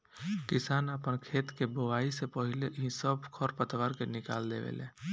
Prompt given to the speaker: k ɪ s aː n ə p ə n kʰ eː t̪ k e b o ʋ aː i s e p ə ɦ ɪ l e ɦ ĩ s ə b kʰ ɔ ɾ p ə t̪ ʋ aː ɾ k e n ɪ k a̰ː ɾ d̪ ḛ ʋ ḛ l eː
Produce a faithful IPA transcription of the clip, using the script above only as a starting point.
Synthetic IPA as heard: k ɪ s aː n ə p ə n kʰ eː t̪ k e b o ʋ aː i s e p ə ɦ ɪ l e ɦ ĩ s ə b kʰ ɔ ɾ p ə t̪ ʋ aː ɾ k e n ɪ k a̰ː l d̪ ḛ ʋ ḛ l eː